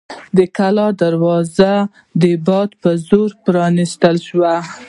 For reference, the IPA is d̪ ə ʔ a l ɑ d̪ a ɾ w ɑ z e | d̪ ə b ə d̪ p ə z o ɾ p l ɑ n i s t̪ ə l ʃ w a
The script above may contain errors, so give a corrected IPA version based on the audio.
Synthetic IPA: d̪ ə k a l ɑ d̪ a ɾ w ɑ z a | d̪ ə b ɑ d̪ p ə z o ɾ p ɾ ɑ n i s t̪ ə l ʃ w a